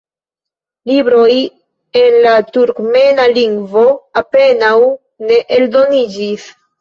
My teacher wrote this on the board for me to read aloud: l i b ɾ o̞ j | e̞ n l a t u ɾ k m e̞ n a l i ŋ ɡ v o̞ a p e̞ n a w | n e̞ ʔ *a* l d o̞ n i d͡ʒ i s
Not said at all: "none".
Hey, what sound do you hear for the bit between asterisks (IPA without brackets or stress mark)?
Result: e